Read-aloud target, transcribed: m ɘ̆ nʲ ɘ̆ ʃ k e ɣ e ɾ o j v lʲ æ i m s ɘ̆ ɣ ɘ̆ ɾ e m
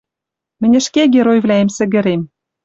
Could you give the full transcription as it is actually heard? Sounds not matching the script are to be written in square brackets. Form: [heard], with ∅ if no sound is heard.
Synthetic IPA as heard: m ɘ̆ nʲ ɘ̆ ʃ k e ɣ e ɾ o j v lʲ æ [e] m s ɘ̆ ɣ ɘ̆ ɾ e m